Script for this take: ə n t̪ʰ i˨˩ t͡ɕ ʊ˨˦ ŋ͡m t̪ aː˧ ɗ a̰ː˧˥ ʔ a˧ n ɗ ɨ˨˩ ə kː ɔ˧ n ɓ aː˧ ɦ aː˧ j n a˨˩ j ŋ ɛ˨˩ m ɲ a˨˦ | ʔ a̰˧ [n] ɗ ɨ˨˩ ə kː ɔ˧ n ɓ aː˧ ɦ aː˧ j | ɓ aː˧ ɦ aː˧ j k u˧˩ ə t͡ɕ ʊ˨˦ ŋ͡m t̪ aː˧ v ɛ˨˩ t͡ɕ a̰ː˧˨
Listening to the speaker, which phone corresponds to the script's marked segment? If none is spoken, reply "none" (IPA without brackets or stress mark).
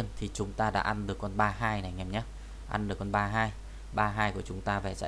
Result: n